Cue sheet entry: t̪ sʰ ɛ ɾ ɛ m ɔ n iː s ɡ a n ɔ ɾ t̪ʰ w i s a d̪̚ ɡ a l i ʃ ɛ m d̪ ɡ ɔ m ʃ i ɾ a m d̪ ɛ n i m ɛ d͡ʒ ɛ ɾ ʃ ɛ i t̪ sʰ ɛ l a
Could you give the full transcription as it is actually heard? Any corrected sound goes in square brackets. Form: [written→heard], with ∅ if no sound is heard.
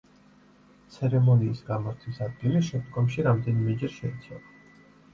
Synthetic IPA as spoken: t̪ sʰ ɛ ɾ ɛ m ɔ n iː s ɡ a [n→m] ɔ ɾ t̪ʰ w i s a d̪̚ ɡ [a→i] l i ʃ ɛ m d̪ ɡ ɔ m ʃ i ɾ a m d̪ ɛ n i m ɛ d͡ʒ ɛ ɾ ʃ ɛ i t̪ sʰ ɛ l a